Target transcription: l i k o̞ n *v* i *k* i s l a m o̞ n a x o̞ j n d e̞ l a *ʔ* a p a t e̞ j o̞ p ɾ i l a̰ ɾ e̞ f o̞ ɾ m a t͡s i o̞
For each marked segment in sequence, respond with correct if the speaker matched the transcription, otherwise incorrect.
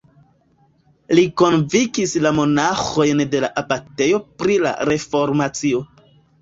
correct, correct, correct

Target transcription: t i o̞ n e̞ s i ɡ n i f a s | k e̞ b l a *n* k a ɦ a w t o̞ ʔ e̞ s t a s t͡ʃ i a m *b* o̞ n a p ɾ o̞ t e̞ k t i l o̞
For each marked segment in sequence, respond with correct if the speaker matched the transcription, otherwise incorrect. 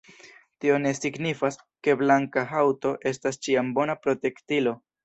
incorrect: ŋ, correct

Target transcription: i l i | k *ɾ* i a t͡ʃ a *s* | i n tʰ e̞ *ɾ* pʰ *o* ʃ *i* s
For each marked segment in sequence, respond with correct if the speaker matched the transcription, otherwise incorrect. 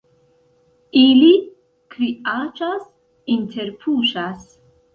correct, correct, correct, incorrect: u, incorrect: a

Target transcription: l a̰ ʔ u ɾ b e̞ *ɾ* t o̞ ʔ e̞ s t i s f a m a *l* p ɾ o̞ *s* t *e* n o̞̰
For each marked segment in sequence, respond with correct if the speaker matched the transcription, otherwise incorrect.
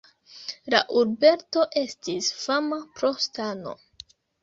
correct, incorrect: none, correct, incorrect: a

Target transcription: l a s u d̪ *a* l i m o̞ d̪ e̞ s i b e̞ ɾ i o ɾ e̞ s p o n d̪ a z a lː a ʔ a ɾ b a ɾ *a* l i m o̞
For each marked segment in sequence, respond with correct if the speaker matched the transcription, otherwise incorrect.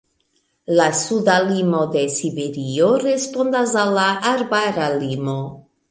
correct, correct

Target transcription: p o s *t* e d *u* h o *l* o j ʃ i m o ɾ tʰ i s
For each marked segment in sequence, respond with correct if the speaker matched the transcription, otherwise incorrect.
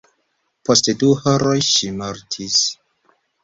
correct, correct, incorrect: ɾ

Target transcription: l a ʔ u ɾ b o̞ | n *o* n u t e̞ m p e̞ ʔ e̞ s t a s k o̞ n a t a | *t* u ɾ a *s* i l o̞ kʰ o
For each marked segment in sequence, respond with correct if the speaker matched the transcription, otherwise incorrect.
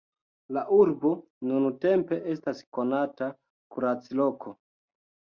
incorrect: u, incorrect: k, incorrect: t͡s

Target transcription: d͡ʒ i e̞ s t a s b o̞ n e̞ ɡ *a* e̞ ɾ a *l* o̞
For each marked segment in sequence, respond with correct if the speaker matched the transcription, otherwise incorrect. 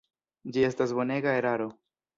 correct, incorrect: ɾ

